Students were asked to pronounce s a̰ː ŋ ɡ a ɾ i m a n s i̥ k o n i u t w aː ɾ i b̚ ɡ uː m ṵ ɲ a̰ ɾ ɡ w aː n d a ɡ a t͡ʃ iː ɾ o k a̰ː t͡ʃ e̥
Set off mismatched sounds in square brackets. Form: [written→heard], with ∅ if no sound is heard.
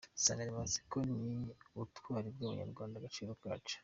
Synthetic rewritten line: s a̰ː ŋ ɡ a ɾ i m a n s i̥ k o n i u t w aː ɾ i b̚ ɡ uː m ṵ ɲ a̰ ɾ ɡ w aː n d a ɡ a t͡ʃ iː ɾ o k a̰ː t͡ʃ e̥

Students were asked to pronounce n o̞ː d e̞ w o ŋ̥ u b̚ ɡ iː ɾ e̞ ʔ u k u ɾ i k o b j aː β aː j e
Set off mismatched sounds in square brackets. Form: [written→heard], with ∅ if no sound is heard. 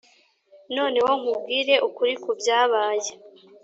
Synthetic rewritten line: n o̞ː [d→n] e̞ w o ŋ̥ u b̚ ɡ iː ɾ e̞ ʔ u k u ɾ i k [o→u] b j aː β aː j e

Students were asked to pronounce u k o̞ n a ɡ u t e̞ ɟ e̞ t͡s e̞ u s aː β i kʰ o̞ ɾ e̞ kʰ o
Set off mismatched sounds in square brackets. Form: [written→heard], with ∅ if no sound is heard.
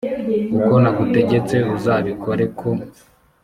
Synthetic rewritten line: u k o̞ n a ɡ u t e̞ ɟ e̞ t͡s e̞ u [s→z] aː β i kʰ o̞ ɾ e̞ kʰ o

